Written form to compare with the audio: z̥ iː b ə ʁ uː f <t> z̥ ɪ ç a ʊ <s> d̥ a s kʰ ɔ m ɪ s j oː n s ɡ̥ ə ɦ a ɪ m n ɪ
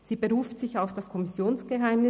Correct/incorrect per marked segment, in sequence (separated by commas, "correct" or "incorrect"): correct, incorrect